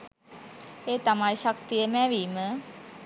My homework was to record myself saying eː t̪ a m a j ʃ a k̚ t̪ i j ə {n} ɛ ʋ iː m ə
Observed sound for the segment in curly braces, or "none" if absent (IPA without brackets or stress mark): m